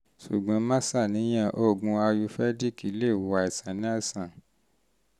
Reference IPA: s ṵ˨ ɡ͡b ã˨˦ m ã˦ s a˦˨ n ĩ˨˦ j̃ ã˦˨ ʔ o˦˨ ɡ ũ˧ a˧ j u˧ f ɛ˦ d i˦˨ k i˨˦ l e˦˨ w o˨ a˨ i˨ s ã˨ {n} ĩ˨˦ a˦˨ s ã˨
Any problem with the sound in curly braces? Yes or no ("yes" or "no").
no